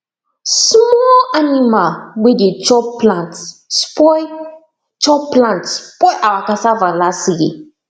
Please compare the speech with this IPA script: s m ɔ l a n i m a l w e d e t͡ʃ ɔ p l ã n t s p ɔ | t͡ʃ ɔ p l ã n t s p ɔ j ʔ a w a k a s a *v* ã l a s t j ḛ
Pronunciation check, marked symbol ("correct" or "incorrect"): correct